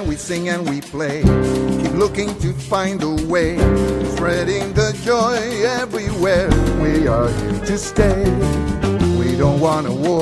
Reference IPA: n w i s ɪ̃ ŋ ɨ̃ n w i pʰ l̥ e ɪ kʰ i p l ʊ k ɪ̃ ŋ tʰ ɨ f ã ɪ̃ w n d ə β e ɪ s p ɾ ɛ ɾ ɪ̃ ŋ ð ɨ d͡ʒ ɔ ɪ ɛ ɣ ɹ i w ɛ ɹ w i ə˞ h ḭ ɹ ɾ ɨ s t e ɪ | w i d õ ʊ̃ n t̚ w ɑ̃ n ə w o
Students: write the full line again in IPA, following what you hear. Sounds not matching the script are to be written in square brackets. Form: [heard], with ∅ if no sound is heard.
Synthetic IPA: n w i s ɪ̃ ŋ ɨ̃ n w i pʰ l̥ e ɪ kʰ i p l ʊ k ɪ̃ ŋ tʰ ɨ f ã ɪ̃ [∅] n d ə [w] e ɪ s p [ɹ] ɛ ɾ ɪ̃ ŋ ð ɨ d͡ʒ ɔ ɪ ɛ [v] ɹ i w ɛ ɹ w i ə˞ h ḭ ɹ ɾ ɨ s t e ɪ | w i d õ ʊ̃ n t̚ w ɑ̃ n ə w [ɔ]